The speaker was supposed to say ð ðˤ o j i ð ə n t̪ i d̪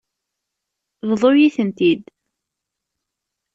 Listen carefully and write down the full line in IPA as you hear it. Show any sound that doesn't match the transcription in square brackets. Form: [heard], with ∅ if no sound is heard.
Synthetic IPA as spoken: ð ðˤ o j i [θ] ə n t̪ i d̪